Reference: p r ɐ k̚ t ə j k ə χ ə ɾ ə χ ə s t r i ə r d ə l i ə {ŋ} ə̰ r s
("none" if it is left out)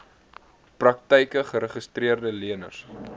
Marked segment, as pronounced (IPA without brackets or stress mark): n